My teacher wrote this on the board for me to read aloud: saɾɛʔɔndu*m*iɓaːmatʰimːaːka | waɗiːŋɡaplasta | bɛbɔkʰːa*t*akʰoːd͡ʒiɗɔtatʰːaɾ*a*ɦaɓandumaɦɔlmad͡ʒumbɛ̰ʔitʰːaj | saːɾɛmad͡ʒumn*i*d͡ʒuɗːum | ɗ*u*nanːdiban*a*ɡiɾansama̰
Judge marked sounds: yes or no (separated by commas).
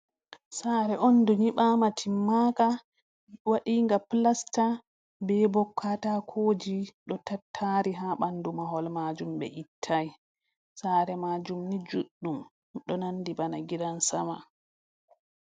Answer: no, yes, no, yes, no, yes